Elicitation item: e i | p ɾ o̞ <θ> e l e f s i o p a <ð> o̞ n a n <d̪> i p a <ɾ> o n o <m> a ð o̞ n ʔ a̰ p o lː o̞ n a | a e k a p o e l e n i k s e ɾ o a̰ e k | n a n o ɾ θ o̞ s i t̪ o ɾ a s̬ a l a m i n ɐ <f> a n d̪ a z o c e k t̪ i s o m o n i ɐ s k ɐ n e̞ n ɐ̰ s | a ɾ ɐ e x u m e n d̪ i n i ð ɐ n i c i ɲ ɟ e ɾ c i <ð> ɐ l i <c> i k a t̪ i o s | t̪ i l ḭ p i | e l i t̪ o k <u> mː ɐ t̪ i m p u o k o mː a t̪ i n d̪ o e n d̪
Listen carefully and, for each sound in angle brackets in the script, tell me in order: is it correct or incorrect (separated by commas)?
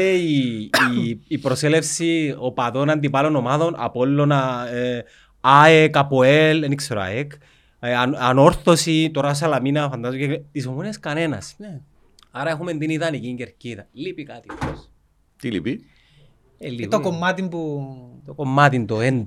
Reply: incorrect, correct, correct, incorrect, correct, correct, correct, incorrect, incorrect